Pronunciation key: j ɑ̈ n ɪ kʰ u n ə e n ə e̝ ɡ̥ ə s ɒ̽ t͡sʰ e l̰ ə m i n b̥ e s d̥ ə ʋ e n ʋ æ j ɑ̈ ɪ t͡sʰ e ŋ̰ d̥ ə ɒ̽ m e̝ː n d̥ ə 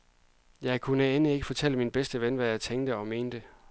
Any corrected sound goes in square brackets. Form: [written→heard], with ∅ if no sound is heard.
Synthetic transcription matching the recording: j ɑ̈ [n→∅] ɪ kʰ u n ə e n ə e̝ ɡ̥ ə [s→f] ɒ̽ t͡sʰ e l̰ ə m i n b̥ e s d̥ ə ʋ e n ʋ æ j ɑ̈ ɪ t͡sʰ e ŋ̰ d̥ ə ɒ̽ m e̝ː n d̥ ə